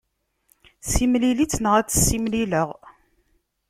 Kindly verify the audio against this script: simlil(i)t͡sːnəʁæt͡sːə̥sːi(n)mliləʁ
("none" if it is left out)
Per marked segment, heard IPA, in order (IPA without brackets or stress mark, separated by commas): i, none